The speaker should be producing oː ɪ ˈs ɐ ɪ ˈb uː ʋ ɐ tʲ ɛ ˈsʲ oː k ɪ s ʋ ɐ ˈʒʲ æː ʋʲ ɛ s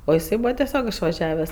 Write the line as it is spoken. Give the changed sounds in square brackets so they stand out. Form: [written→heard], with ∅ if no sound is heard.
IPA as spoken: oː ɪ ˈs ɐ ɪ ˈb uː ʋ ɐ tʲ ɛ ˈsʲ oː k ɪ [s→ʃ] ʋ ɐ ˈʒʲ æː ʋʲ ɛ s